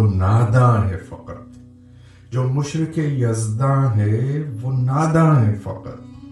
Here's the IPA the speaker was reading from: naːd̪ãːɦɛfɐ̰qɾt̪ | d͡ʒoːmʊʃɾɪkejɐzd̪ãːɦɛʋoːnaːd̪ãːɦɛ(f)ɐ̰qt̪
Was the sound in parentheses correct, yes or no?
yes